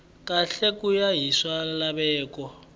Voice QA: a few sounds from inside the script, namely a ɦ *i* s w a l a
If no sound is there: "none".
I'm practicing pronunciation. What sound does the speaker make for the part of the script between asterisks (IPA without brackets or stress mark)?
i